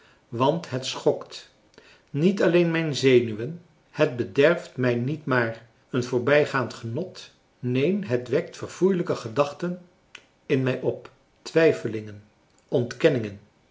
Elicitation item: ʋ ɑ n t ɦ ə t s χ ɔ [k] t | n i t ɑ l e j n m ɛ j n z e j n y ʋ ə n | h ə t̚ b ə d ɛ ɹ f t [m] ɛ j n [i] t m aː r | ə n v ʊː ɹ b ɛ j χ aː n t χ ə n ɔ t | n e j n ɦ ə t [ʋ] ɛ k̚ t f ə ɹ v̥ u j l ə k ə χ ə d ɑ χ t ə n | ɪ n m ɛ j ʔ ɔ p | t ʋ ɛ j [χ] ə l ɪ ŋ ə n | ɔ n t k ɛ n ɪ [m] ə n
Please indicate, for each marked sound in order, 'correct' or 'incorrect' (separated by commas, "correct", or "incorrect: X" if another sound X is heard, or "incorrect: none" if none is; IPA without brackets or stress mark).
correct, correct, correct, correct, incorrect: f, incorrect: ŋ